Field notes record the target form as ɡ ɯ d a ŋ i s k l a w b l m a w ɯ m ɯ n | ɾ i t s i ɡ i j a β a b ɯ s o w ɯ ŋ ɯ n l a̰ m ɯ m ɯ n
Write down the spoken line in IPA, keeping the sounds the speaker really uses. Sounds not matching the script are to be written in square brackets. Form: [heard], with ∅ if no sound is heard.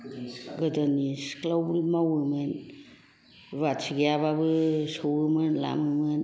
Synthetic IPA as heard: ɡ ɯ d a [n] i s k l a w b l m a w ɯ m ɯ n | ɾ [a] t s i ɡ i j a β a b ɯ s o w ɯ [m] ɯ n l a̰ m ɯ m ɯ n